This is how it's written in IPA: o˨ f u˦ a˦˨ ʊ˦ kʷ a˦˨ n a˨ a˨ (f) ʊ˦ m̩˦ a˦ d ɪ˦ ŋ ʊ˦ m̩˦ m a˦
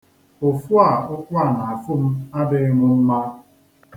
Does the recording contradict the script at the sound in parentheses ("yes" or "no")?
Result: no